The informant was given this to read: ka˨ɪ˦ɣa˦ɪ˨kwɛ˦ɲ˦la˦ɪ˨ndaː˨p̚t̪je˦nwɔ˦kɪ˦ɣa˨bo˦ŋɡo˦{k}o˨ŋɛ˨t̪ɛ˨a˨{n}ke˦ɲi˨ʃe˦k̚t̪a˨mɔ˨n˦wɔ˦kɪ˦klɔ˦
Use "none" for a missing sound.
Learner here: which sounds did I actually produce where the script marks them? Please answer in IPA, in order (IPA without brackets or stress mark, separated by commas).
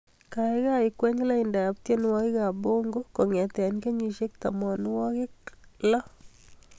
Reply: k, n